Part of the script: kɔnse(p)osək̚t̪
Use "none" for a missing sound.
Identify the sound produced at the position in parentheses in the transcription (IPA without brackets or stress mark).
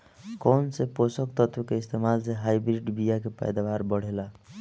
p